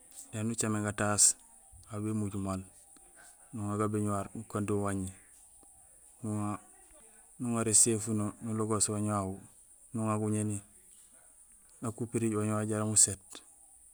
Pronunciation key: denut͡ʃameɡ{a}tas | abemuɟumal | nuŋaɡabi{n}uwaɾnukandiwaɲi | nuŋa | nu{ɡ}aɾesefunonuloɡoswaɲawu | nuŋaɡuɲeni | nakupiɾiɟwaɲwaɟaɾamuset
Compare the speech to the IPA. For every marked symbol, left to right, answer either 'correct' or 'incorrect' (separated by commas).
correct, incorrect, incorrect